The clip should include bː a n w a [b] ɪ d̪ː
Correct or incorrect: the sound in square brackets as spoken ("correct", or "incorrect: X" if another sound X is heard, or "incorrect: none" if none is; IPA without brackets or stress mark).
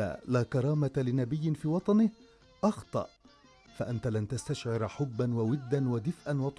incorrect: w